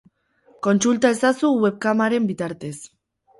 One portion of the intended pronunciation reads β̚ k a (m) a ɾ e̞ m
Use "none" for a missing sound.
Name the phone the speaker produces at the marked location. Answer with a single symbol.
m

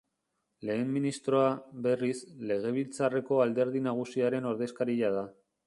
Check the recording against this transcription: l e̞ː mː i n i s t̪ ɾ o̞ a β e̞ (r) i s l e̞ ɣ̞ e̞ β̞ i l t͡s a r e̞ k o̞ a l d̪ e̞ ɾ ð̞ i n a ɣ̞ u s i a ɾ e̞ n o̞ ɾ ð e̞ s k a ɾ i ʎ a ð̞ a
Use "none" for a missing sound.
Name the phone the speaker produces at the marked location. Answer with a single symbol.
r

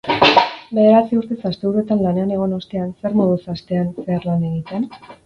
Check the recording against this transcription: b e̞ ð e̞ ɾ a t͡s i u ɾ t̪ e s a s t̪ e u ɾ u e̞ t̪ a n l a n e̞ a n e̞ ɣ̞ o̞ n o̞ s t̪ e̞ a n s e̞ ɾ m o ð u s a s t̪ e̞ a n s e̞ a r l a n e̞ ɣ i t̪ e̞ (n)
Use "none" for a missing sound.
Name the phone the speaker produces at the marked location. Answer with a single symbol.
n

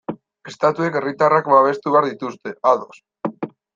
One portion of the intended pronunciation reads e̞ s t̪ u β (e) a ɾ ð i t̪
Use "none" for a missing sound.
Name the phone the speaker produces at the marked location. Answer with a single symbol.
e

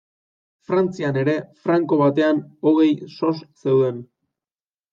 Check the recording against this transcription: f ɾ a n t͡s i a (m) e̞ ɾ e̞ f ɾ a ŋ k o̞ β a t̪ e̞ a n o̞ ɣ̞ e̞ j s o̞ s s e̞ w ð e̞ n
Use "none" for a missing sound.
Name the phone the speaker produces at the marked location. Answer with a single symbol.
n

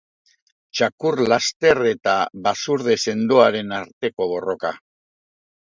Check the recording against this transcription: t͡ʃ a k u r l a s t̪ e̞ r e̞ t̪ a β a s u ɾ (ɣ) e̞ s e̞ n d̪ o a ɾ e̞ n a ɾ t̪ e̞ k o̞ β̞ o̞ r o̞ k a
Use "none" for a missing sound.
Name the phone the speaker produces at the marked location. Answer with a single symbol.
ð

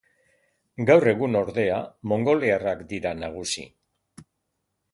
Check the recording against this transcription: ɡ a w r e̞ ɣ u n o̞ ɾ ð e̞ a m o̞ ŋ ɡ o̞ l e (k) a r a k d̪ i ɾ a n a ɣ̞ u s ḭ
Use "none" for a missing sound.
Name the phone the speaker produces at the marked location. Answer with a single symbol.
none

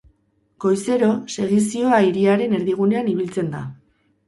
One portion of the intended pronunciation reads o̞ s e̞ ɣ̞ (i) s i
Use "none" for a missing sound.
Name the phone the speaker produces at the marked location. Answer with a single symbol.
i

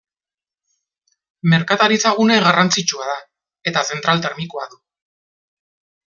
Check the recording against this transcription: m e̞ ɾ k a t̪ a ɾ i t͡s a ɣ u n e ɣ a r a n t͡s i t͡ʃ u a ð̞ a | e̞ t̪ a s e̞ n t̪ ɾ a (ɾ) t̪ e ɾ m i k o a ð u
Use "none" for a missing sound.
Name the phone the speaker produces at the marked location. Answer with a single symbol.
l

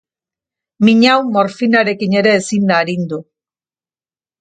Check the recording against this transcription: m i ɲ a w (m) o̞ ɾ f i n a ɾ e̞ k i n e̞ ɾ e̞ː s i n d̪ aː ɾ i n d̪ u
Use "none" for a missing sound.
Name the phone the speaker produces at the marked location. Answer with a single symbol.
m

